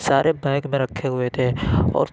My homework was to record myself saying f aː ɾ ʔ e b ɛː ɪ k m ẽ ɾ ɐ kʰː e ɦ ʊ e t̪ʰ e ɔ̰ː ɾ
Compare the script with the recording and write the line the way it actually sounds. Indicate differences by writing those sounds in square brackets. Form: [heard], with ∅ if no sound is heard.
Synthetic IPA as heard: [s] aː ɾ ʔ e b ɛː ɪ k m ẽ ɾ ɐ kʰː e ɦ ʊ e t̪ʰ e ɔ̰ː ɾ